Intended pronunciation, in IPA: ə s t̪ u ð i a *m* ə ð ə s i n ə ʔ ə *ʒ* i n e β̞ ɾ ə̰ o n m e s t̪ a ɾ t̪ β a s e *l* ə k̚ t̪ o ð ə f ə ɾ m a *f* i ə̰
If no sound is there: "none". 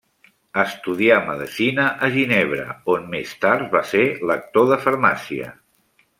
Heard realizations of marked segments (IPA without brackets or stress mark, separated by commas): m, ʒ, l, s